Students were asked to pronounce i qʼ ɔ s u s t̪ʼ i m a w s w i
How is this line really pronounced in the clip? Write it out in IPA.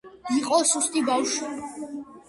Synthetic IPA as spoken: i qʼ ɔ s u s t̪ʼ i b a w ʃ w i